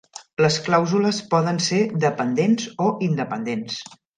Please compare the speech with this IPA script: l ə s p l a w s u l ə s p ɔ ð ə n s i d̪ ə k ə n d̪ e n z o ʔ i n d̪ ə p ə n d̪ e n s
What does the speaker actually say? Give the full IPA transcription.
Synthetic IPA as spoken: l ə s k l a w z u l ə s p ɔ ð ə n s e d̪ ə p ə n d̪ e n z o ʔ i n d̪ ə p ə n d̪ e n s